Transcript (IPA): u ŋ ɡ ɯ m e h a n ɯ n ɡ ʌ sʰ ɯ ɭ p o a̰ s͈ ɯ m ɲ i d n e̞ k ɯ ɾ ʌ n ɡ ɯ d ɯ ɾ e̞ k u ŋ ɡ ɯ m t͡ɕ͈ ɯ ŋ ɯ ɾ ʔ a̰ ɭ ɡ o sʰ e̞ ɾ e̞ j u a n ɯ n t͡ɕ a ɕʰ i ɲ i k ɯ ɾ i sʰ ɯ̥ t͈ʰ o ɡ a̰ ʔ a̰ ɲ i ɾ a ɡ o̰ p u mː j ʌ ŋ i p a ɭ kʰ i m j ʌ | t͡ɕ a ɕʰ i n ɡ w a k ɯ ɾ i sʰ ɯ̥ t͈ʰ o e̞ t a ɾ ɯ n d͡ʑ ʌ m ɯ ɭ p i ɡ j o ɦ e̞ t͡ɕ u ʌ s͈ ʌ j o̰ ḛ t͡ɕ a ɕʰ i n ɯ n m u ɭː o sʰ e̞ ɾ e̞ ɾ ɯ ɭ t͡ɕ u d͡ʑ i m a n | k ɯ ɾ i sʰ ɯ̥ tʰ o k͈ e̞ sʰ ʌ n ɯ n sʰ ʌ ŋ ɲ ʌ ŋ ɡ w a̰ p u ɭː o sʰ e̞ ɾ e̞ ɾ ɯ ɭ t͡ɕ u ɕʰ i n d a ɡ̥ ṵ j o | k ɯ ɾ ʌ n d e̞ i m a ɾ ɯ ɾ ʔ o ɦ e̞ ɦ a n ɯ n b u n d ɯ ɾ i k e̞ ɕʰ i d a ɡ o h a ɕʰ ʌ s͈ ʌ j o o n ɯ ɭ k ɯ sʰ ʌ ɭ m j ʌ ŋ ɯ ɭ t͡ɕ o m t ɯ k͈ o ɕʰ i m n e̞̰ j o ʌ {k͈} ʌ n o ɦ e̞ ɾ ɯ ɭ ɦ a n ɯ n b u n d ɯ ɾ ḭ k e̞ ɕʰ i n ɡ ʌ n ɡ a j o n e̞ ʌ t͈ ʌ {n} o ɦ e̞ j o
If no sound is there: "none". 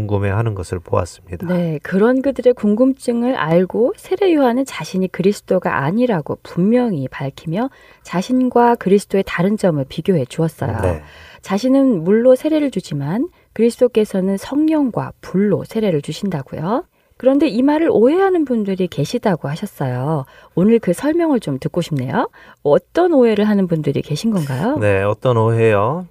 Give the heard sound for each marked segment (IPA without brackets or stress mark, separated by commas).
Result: t͈, n